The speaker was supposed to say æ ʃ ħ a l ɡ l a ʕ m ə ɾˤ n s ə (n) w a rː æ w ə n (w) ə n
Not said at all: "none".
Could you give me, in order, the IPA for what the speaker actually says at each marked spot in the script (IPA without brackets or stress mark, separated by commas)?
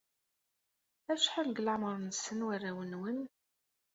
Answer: n, w